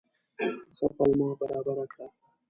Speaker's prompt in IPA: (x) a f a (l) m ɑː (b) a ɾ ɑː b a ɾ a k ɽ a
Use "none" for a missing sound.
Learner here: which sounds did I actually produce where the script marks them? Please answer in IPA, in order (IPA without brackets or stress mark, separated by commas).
s, l, b